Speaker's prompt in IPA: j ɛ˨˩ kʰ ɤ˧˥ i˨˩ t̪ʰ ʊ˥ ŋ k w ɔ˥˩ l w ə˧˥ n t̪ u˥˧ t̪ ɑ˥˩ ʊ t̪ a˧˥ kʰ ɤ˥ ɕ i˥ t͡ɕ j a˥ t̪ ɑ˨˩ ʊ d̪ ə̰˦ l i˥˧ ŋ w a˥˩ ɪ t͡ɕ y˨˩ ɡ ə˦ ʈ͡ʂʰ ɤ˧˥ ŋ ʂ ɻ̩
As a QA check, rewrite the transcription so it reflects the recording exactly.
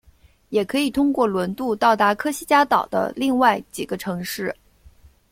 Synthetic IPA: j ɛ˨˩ kʰ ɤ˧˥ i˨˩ t̪ʰ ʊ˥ ŋ k w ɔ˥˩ l w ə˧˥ n t̪ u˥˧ t̪ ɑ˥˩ ʊ t̪ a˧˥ kʰ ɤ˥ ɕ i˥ t͡ɕ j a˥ t̪ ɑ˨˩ ʊ d̪ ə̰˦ l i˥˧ ŋ w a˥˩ ɪ t͡ɕ i˨˩ ɡ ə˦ ʈ͡ʂʰ ɤ˧˥ ŋ ʂ ɻ̩